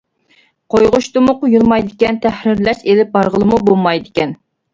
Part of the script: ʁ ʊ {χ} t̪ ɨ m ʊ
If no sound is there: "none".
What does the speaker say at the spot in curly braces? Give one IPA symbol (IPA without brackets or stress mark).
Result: ʃ